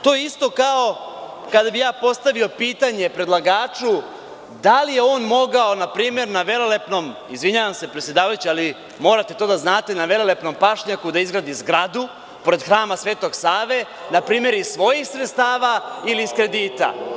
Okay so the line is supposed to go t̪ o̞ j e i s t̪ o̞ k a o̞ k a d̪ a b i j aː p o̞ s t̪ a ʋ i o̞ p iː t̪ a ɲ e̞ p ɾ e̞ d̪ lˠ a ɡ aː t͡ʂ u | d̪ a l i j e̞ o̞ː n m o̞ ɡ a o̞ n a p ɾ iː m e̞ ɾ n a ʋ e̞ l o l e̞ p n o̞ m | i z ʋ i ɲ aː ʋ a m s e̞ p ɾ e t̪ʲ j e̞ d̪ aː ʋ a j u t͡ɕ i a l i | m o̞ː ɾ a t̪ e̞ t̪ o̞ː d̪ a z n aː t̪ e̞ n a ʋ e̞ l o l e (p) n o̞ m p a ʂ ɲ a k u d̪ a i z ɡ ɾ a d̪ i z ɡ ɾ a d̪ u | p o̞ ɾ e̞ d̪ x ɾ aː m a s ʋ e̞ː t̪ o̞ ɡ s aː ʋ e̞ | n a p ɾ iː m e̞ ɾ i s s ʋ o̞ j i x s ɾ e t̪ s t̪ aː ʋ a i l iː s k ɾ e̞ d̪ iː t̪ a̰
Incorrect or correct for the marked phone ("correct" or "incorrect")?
correct